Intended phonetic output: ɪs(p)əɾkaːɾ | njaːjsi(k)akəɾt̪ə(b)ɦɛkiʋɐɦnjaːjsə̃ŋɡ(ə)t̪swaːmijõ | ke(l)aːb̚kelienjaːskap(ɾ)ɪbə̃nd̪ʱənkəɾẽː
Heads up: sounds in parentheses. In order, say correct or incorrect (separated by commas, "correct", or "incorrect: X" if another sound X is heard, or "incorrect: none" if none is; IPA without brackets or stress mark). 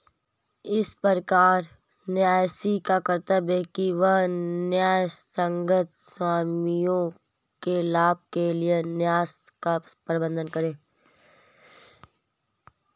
correct, correct, correct, correct, correct, correct